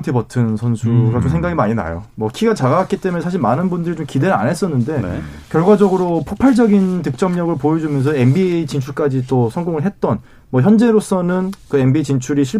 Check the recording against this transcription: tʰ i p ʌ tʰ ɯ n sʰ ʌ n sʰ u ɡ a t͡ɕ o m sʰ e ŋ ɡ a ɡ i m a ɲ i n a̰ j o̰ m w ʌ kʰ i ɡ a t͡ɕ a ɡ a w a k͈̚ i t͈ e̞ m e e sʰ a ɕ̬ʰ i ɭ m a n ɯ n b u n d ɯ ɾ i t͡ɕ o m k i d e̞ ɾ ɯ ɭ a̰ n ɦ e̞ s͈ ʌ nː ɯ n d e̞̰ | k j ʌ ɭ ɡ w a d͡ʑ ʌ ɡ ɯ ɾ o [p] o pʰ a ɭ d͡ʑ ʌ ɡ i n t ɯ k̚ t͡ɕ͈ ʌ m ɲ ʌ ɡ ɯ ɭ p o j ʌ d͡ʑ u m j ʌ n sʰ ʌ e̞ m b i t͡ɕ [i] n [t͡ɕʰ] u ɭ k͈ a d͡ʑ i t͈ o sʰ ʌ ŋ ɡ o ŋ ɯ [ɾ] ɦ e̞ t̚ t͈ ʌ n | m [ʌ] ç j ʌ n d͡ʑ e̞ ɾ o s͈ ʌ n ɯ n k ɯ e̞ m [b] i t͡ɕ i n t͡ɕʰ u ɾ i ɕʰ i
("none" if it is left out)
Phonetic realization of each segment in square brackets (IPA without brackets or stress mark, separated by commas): pʰ, i, t͡ɕʰ, ɭ, ʌ, b